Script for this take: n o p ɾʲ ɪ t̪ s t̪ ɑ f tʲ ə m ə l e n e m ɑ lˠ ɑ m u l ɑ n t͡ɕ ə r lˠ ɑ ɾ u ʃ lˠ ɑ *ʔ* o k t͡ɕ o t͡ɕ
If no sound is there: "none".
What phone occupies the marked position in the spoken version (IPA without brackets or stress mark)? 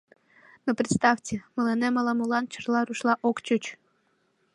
ʔ